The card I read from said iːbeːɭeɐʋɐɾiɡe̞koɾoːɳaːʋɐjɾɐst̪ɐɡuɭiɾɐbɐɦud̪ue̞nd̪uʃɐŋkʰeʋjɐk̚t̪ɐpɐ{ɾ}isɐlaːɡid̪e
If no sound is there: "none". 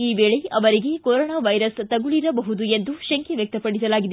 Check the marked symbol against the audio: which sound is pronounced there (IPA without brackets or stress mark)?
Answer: ɽ